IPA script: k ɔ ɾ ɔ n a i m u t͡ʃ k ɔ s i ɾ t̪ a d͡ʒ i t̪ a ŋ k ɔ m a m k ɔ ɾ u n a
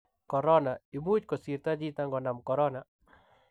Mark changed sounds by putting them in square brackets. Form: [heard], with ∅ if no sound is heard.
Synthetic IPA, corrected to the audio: k ɔ ɾ ɔ n a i m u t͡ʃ k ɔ s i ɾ t̪ a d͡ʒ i t̪ a ŋ [ɡ] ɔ [n] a m k ɔ ɾ [ɔ] n a